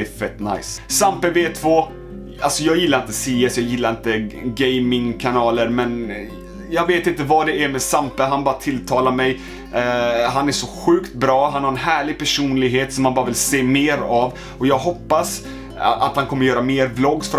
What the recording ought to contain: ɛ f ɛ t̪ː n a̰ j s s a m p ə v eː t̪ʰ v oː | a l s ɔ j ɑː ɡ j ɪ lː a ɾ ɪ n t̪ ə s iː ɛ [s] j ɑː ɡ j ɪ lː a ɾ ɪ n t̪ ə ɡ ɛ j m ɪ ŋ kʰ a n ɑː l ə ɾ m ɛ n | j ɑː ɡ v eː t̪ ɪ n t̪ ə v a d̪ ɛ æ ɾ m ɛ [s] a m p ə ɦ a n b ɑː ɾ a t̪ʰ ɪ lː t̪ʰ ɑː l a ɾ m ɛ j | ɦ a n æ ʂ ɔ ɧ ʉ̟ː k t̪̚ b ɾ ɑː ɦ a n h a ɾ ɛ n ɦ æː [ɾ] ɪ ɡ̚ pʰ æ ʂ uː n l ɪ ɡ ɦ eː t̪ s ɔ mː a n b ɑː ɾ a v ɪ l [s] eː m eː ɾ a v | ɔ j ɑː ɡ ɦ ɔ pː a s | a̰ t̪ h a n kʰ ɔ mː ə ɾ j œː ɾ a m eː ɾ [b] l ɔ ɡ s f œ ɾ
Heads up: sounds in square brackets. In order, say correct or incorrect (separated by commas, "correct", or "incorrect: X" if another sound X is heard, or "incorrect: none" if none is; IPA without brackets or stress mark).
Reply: correct, correct, incorrect: ɭ, correct, correct